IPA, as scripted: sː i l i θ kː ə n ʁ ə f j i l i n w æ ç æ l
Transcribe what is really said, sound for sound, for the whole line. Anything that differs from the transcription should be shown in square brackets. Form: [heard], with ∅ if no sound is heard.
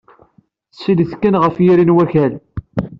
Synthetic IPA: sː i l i θ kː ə n ʁ ə f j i [ɾ] i n w æ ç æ l